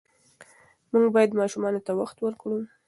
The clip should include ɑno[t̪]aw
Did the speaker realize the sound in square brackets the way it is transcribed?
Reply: yes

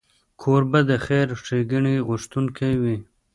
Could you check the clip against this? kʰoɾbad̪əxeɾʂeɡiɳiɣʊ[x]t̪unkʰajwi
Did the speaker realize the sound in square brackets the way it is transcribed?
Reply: no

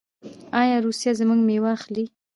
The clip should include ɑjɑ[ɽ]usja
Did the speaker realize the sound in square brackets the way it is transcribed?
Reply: no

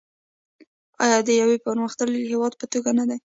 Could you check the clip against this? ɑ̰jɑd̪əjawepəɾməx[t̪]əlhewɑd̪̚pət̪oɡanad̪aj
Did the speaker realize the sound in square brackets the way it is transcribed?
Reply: yes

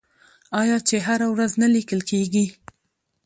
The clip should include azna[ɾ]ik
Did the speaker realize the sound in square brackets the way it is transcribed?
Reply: no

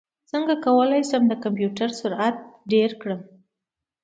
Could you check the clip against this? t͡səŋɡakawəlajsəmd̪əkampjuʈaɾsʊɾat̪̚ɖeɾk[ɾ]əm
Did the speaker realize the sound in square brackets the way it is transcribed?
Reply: no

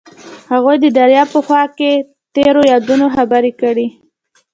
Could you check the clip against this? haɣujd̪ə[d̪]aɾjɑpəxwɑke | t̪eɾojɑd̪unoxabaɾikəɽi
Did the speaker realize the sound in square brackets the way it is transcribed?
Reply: yes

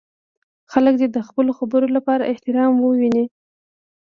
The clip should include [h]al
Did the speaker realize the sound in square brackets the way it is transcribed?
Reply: no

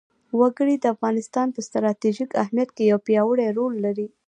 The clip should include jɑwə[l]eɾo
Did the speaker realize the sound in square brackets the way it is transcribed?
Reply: no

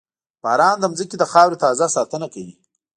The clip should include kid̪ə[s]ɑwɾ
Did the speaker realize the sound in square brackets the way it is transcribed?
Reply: no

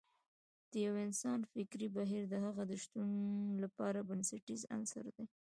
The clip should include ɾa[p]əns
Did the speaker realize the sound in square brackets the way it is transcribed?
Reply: no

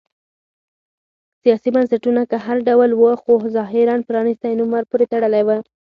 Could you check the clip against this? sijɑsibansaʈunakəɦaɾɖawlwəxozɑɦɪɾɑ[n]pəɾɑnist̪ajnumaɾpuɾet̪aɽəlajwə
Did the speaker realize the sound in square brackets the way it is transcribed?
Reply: yes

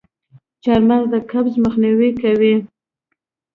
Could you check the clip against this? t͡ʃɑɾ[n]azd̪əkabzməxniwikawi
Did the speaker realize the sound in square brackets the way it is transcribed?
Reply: no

